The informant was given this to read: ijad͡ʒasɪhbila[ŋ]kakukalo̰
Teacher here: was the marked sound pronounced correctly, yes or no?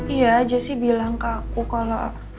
yes